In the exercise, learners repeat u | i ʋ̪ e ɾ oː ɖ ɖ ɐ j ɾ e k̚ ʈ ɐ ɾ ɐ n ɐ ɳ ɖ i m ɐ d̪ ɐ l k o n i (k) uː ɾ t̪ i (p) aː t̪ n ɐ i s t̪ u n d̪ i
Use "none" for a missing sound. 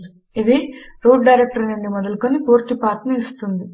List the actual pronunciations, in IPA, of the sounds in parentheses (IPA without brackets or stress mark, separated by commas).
p, p